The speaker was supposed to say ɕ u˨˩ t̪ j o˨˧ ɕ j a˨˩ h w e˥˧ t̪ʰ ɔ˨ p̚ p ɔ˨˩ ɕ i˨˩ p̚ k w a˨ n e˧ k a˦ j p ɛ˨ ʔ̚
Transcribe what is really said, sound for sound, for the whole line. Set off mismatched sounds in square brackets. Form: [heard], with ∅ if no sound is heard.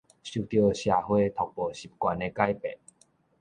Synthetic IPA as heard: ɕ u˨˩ t̪ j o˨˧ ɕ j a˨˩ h w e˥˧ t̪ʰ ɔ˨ [k̚] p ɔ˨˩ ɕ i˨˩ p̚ k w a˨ n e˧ k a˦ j p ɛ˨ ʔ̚